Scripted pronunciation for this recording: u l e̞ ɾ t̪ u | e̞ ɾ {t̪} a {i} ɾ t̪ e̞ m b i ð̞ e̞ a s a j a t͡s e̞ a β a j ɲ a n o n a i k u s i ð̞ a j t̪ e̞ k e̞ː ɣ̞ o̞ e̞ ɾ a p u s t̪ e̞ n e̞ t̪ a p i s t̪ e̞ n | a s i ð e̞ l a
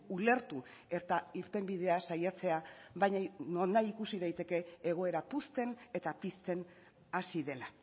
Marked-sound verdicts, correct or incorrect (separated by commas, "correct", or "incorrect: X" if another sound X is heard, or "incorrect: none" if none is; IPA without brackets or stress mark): correct, correct